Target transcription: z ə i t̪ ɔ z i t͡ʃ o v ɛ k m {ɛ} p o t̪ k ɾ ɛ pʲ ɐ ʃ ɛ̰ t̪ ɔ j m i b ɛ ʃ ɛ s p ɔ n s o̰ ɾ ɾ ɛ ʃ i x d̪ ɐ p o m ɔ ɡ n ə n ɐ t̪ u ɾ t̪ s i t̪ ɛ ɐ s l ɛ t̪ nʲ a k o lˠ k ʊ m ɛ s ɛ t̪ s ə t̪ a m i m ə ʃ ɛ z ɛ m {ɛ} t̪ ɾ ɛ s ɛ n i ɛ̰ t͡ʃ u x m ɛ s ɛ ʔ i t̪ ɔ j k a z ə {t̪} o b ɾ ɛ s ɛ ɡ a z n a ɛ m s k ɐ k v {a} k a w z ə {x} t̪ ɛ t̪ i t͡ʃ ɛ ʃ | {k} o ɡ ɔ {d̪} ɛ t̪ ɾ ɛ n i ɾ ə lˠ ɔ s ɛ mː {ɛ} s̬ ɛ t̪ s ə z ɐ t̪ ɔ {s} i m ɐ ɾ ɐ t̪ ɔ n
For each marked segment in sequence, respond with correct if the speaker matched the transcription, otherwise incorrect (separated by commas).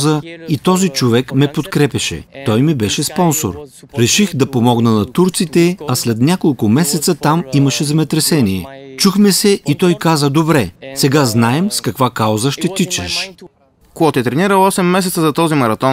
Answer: correct, correct, incorrect, correct, incorrect, correct, incorrect, correct, incorrect